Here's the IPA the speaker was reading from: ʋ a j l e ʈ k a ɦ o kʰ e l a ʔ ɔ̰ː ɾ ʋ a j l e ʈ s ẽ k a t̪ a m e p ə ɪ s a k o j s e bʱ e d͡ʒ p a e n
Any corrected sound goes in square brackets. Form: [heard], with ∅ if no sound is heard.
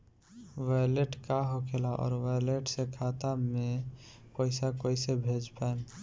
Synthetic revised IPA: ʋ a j l e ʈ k a ɦ o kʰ e l a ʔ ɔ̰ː ɾ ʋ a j l e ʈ s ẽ [kʰ] a t̪ a m e p ə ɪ s a k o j s e bʱ e d͡ʒ p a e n